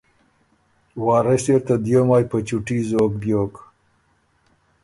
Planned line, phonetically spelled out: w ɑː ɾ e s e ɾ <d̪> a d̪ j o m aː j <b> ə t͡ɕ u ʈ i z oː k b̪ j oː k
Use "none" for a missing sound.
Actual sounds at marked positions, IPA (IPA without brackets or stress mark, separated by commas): t̪, p